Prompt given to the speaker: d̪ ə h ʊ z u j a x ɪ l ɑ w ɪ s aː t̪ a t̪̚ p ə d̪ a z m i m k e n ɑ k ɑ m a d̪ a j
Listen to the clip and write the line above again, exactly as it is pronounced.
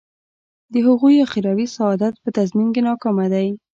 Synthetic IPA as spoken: d̪ ə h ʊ ɣ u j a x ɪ ɾ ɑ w i s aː d̪ a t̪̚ p ə t̪ a z m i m k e n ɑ k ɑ m a d̪ a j